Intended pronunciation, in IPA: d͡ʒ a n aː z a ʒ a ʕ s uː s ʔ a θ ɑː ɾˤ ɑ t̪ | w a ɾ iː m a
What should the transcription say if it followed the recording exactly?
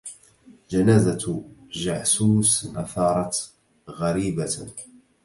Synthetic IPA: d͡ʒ a n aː z a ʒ a ʕ s uː s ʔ a θ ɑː ɾˤ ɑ t̪ | ɣ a ɾ iː b a